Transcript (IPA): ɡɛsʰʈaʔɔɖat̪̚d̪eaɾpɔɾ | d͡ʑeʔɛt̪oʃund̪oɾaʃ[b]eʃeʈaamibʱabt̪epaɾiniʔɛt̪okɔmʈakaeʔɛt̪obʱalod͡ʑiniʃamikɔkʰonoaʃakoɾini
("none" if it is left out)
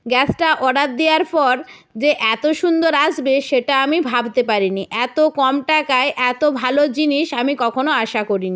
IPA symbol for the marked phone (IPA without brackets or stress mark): b